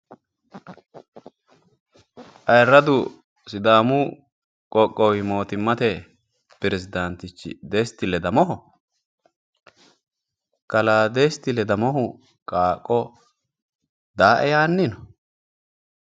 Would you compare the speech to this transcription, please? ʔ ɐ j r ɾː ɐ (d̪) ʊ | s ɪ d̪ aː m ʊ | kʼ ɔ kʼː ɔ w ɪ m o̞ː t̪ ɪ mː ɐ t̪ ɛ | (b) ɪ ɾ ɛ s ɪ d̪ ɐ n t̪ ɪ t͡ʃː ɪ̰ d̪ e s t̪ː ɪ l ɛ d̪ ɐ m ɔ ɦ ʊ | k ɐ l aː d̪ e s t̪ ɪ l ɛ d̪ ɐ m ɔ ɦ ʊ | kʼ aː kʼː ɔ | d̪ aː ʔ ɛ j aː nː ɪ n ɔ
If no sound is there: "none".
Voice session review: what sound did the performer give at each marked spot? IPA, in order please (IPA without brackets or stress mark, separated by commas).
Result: d̪, p